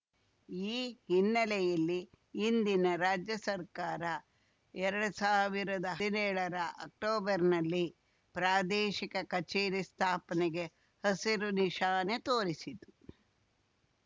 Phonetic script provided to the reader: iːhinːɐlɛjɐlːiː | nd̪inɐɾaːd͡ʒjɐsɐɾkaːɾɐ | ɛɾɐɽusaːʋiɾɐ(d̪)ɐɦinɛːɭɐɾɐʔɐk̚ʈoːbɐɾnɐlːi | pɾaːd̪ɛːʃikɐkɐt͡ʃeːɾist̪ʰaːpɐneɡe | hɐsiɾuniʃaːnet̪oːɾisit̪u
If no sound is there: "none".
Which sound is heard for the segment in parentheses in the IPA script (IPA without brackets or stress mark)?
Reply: d̪